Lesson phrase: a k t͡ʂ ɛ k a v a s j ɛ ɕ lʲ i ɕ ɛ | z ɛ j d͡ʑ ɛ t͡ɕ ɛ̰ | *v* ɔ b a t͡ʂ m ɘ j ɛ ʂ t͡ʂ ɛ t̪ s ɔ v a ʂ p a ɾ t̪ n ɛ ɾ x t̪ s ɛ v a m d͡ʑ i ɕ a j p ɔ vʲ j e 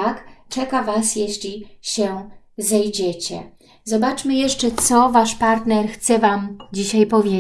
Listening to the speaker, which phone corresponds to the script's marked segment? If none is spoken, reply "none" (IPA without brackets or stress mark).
z